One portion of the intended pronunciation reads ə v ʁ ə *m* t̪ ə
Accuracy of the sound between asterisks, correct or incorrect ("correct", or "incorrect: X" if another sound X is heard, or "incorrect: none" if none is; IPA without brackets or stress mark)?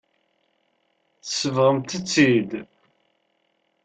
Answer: correct